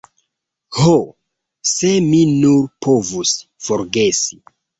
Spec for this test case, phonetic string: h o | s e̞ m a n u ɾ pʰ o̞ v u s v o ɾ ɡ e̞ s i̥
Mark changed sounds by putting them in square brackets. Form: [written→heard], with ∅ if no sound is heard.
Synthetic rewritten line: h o | s e̞ m [a→i] n u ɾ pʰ o̞ v u s [v→f] o ɾ ɡ e̞ s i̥